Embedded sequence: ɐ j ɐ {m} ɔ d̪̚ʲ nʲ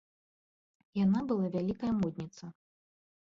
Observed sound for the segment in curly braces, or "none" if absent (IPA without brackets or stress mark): m